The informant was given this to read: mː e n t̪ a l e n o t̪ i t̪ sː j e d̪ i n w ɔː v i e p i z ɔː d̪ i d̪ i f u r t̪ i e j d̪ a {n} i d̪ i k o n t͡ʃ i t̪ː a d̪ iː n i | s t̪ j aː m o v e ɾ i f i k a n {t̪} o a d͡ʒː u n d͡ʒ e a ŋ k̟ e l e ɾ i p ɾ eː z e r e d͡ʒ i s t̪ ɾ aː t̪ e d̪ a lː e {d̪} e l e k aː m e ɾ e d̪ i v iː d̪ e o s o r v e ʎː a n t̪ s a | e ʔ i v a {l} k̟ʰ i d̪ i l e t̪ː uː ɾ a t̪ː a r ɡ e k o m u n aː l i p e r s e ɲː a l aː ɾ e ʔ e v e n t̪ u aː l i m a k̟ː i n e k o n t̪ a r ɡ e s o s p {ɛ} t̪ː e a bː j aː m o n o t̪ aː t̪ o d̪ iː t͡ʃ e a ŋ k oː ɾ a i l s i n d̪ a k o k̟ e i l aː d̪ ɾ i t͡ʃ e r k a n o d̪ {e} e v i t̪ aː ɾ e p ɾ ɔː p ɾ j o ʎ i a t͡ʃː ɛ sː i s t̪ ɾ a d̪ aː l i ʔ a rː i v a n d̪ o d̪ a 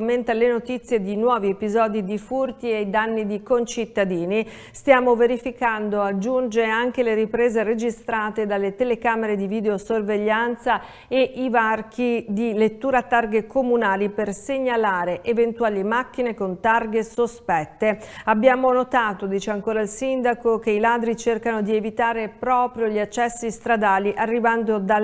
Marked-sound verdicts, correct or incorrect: incorrect, incorrect, incorrect, incorrect, correct, incorrect

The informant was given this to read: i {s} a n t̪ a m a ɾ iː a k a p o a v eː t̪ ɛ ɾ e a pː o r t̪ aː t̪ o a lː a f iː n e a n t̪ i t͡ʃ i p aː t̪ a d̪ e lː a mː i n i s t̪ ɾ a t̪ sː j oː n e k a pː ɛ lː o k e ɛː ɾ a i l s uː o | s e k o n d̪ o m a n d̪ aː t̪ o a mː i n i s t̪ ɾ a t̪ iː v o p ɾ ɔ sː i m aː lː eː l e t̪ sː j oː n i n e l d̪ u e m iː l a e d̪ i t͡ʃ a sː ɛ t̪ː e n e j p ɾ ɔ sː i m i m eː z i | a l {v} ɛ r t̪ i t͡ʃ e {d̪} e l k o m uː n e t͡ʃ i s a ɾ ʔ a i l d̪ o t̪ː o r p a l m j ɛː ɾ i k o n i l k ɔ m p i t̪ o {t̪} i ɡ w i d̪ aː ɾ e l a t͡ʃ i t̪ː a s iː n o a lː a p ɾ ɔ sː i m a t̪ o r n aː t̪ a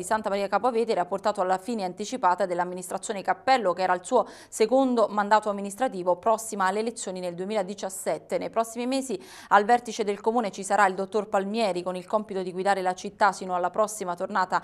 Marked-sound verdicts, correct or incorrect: correct, correct, correct, incorrect

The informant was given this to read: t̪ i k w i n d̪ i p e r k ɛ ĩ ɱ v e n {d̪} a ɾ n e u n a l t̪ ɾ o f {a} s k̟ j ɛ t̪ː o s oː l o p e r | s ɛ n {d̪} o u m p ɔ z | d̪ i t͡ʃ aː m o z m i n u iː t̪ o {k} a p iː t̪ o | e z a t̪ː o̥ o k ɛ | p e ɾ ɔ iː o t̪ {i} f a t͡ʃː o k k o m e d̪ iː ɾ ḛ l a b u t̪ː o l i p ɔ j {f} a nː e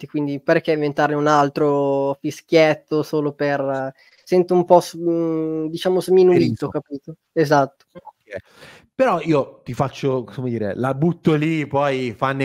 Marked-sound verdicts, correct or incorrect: incorrect, incorrect, incorrect, correct, correct, correct

